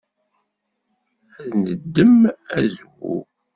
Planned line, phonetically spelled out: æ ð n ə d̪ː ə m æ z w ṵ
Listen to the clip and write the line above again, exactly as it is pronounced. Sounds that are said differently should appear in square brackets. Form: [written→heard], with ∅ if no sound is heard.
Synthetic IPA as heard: æ ð n ə d̪ː ə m æ z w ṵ